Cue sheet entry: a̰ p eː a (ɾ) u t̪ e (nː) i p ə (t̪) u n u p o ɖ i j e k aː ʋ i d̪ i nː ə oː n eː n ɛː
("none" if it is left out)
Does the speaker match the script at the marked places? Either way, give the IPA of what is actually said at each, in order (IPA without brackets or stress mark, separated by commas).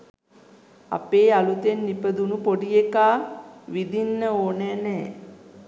l, nː, d̪